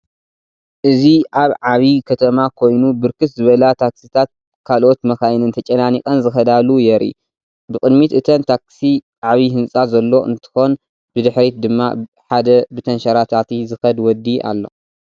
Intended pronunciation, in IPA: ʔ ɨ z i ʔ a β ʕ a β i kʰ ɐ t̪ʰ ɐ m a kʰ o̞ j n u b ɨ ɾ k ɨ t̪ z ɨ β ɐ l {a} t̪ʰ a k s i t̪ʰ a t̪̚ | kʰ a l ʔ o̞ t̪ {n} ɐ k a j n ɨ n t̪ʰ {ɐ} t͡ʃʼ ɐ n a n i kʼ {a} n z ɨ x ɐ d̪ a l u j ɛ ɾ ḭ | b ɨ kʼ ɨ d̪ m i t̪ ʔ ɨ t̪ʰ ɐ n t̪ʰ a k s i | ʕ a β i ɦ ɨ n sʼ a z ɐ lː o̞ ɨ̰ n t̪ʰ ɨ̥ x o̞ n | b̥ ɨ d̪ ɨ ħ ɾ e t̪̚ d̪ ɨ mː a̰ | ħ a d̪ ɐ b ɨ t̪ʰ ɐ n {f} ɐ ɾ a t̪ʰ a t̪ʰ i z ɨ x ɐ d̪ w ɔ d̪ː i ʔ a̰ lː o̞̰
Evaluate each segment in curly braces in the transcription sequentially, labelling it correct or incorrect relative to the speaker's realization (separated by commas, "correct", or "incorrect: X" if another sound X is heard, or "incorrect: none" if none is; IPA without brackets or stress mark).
correct, incorrect: m, correct, incorrect: ɐ, incorrect: ʃ